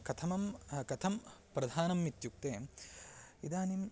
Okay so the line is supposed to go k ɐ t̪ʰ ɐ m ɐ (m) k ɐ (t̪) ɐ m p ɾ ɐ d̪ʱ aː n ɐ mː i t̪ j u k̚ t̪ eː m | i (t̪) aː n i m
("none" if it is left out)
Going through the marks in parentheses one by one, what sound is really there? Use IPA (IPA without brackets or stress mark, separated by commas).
m, t̪ʰ, d̪